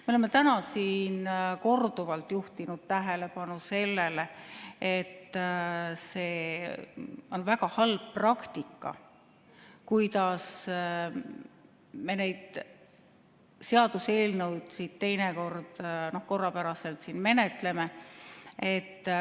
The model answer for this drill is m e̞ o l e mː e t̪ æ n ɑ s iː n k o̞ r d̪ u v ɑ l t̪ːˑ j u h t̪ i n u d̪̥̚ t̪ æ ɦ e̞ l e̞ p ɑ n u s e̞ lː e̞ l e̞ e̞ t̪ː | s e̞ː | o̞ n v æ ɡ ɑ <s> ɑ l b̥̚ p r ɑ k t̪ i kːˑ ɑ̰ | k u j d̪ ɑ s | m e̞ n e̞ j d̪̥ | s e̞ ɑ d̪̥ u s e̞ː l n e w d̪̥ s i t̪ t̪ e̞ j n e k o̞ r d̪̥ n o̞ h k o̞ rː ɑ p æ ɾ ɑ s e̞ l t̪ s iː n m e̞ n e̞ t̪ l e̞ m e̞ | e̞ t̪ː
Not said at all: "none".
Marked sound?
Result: h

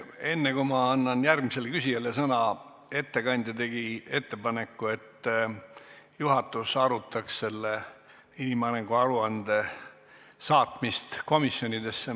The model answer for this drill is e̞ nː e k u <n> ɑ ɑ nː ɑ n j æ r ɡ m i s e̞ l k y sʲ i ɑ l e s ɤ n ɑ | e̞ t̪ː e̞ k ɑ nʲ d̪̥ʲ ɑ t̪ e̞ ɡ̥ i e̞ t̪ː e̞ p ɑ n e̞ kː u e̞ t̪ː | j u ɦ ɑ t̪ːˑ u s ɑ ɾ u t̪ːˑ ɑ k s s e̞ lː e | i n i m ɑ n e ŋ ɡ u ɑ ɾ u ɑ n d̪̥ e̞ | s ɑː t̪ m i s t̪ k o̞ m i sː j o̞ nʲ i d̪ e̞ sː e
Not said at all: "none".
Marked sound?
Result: m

